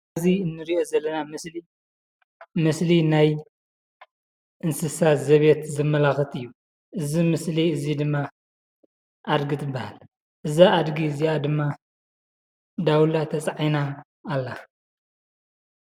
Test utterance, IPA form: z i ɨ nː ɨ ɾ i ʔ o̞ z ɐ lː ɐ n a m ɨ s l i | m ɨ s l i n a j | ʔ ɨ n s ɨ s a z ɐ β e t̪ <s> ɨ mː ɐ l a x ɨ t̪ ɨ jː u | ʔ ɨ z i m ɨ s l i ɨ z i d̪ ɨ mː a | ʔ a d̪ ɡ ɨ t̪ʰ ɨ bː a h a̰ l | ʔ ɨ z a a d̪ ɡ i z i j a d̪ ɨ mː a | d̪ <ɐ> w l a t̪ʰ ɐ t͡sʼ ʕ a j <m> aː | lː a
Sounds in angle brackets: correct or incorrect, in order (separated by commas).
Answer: incorrect, incorrect, incorrect